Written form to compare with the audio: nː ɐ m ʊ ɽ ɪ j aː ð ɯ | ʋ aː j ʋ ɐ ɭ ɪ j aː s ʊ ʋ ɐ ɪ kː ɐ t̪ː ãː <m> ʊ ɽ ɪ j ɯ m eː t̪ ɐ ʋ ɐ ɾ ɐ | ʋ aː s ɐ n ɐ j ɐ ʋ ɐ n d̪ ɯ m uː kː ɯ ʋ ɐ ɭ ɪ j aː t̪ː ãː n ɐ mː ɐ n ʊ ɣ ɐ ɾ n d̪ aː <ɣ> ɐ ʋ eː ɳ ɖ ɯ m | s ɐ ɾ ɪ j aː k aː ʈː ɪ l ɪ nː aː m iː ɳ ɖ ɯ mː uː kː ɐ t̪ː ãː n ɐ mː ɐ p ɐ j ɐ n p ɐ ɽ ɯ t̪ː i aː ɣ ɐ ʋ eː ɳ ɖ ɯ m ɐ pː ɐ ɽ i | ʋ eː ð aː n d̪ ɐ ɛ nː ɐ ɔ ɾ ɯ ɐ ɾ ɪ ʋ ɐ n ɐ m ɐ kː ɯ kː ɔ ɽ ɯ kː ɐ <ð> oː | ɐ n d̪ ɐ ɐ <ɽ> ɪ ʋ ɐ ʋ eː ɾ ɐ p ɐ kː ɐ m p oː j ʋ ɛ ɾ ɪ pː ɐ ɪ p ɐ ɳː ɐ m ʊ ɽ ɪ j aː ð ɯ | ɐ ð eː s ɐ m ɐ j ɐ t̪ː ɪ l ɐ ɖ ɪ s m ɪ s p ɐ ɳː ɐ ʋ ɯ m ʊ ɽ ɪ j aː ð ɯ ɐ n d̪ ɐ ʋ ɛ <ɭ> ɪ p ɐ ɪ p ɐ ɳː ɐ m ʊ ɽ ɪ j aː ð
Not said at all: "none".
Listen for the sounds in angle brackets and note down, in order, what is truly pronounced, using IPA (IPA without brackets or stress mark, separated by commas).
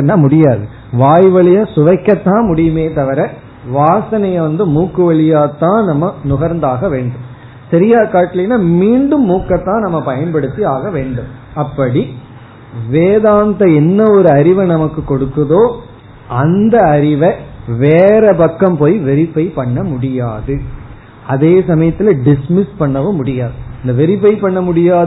m, ɣ, ð, ɾ, ɾ